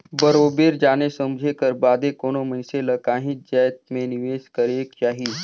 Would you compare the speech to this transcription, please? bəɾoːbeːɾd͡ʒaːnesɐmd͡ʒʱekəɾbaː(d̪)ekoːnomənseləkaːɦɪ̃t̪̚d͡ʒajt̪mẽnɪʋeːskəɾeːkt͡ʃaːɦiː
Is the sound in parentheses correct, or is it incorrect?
correct